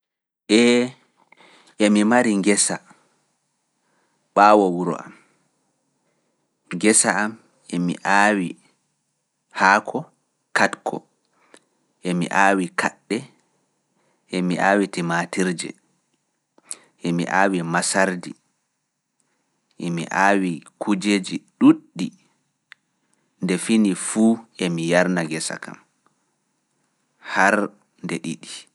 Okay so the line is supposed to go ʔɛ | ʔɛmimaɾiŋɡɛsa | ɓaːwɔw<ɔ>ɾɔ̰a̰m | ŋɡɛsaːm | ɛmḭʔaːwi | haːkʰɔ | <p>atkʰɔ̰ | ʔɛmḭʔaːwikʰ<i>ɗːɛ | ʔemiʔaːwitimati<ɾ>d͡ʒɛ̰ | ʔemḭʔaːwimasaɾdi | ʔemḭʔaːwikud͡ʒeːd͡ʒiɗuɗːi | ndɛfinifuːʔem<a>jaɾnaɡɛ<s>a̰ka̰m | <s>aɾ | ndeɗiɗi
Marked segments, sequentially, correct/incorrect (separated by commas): incorrect, incorrect, incorrect, correct, incorrect, correct, incorrect